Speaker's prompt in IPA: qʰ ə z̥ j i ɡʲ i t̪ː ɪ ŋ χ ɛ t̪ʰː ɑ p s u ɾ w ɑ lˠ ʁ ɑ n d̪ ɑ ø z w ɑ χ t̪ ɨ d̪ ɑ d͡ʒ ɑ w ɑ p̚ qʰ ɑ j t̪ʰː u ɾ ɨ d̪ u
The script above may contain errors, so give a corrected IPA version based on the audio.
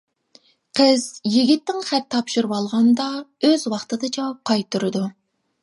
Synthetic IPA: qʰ ə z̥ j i ɡʲ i t̪ː ɪ ŋ χ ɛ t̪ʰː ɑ p ʃ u ɾ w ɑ lˠ ʁ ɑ n d̪ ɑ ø z w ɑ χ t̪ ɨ d̪ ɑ d͡ʒ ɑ w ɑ p̚ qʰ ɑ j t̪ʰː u ɾ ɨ d̪ u